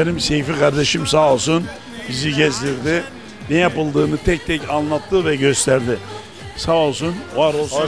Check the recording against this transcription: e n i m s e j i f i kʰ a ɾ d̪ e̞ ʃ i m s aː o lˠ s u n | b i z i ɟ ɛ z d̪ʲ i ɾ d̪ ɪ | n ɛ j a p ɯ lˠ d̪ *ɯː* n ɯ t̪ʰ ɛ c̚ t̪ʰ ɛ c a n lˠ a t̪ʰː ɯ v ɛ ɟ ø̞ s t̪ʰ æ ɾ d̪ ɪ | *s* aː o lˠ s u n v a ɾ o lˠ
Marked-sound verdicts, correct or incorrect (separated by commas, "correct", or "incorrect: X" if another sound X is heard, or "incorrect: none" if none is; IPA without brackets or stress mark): correct, correct